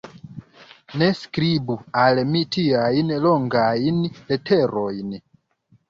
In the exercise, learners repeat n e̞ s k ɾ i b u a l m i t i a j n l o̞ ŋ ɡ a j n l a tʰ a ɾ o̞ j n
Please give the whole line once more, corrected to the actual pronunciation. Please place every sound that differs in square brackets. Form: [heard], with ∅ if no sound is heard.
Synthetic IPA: n e̞ s k ɾ i b u a l m i t i a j n l o̞ ŋ ɡ a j n l [e] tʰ [e] ɾ o̞ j n